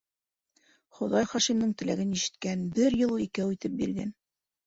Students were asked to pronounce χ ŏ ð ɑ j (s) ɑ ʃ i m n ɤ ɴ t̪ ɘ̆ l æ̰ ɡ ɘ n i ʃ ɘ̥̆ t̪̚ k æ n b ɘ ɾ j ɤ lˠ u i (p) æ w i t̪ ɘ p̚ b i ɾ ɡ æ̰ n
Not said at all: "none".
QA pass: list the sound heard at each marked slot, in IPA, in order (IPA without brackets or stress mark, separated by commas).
χ, k